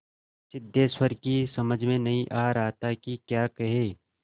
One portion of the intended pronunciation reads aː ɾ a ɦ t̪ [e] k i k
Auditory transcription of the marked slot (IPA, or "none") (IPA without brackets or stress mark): a